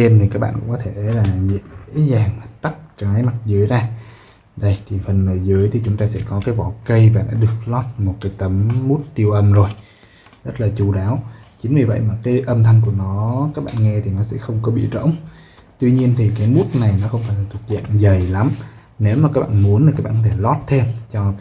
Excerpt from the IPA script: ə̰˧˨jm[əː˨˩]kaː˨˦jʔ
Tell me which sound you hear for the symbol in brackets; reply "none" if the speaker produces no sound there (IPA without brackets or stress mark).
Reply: aː˨˩